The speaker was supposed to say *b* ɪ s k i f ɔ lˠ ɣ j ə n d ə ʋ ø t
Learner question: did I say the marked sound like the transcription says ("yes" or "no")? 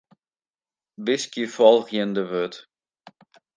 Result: yes